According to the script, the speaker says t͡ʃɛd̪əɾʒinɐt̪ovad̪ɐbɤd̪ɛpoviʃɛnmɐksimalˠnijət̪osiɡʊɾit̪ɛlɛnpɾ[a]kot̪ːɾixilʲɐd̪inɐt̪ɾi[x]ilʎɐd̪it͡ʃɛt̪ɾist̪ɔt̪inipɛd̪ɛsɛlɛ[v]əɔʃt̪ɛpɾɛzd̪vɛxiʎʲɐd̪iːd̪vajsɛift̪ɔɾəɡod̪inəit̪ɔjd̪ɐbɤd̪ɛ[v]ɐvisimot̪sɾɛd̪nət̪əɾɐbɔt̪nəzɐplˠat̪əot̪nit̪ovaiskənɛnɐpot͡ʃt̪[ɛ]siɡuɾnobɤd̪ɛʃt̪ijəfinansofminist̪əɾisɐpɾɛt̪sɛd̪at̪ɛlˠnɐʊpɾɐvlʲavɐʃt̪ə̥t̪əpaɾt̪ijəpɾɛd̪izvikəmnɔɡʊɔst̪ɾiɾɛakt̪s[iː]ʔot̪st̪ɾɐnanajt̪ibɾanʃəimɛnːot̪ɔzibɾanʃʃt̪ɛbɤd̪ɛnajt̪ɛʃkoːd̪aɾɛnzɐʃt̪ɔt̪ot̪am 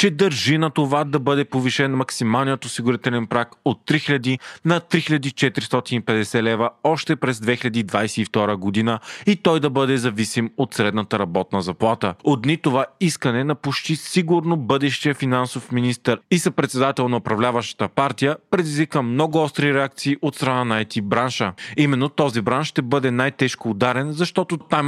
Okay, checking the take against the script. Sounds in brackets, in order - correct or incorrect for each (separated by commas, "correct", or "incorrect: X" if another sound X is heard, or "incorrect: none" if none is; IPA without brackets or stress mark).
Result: correct, correct, correct, incorrect: z, incorrect: i, correct